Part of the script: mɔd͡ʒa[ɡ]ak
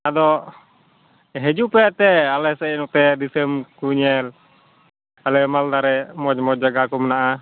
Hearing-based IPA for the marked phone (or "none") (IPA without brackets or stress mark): ɡ